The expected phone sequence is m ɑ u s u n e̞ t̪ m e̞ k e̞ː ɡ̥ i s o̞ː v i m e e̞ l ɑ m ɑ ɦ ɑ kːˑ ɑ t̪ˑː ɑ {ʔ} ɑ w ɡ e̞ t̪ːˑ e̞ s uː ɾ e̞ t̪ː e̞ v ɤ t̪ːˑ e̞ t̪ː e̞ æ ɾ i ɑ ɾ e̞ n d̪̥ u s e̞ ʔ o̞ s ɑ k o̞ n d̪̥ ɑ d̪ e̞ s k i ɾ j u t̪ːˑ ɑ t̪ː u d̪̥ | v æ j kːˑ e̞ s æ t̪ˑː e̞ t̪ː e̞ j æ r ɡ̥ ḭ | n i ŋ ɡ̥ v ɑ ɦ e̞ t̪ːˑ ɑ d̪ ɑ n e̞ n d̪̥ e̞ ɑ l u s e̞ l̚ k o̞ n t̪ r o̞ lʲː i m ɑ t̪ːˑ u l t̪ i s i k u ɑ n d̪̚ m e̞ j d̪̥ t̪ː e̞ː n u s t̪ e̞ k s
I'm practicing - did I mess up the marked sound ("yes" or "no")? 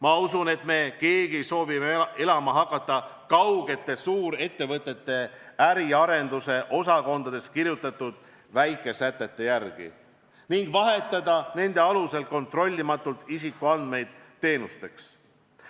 yes